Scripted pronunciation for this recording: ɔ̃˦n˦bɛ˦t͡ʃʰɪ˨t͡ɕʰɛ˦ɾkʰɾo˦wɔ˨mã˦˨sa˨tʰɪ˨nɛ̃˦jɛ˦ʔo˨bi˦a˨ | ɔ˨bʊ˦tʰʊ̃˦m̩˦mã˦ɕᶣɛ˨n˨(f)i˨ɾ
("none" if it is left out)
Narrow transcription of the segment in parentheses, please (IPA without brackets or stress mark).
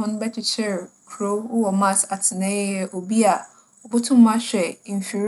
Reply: f